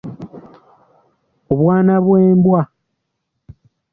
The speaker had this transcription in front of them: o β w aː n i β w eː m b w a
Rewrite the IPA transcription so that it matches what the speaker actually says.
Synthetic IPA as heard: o β w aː n a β w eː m b w a